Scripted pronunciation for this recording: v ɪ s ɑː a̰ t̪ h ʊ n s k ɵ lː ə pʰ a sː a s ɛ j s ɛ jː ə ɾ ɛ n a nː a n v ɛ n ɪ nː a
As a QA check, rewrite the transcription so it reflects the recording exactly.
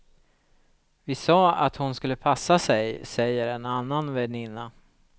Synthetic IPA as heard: v ɪ s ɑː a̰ t̪ h ʊ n s k ɵ lː ə pʰ a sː a s ɛ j s ɛ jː ə ɾ ɛ n a nː a n v ɛ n ɪ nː a